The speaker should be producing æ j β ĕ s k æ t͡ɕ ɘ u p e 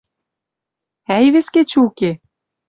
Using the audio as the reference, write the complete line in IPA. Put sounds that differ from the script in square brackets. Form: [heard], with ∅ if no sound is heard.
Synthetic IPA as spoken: æ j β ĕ s k [e] t͡ɕ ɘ u [k] e